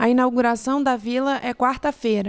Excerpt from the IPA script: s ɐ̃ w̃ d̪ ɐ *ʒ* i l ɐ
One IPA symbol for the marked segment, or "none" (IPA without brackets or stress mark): v